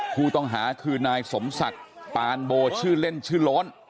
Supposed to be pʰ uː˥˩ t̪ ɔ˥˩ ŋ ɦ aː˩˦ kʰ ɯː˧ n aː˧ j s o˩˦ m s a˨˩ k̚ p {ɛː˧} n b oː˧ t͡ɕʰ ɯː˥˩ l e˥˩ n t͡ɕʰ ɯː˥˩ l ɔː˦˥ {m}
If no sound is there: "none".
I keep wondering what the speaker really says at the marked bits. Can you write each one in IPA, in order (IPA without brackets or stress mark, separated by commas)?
aː˧, n